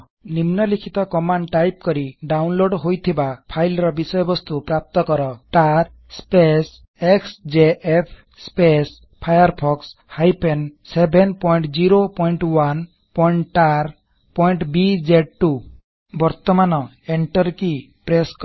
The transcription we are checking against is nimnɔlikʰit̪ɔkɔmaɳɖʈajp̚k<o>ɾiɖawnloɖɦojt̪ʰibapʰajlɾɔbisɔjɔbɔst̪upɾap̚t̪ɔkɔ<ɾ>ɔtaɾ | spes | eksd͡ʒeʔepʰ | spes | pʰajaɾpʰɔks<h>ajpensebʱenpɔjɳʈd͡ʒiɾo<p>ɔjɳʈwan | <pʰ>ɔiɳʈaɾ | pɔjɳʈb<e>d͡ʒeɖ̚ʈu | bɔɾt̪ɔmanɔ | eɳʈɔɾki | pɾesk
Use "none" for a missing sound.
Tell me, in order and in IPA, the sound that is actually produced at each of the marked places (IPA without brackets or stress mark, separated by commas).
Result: ɔ, ɾ, h, p, p, i